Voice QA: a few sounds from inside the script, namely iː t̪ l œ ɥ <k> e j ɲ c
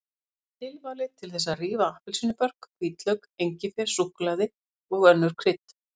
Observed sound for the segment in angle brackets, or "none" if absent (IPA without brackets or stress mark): k